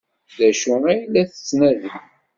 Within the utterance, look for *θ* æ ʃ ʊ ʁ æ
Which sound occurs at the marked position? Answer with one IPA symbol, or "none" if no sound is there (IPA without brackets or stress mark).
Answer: ð